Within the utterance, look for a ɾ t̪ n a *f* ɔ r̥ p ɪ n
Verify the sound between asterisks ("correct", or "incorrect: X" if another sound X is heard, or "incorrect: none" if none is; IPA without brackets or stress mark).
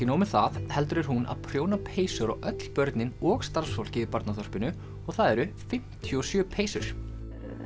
incorrect: θ